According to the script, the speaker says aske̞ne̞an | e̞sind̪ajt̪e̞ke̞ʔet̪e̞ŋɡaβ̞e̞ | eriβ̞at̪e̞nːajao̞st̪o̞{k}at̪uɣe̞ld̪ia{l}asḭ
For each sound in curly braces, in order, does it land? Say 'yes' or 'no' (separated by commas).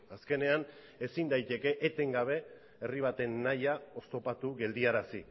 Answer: no, no